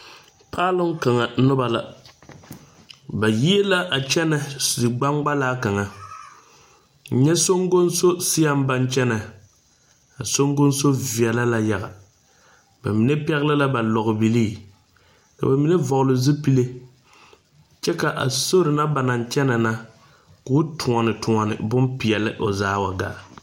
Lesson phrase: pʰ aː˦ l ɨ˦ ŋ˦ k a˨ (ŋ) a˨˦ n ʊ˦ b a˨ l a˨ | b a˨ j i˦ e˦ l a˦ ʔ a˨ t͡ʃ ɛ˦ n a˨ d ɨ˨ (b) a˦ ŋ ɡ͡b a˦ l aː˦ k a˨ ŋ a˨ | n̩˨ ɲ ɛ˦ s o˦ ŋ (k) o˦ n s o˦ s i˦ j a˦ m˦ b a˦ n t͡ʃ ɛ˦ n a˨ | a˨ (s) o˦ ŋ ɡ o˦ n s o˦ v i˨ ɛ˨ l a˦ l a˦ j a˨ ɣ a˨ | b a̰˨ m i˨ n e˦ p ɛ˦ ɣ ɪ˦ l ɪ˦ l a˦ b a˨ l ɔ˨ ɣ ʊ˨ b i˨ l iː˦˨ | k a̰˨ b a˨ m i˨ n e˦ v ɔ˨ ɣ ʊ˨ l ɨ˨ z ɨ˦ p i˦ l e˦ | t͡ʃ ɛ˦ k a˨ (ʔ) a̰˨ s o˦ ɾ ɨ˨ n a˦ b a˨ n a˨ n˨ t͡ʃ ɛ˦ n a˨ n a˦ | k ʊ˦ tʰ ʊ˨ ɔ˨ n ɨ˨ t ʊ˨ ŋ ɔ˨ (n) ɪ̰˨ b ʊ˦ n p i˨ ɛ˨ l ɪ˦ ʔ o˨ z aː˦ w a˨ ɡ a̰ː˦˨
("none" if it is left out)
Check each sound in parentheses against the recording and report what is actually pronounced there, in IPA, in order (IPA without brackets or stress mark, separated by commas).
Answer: ŋ, ɡ͡b, ɡ, s, ʔ, n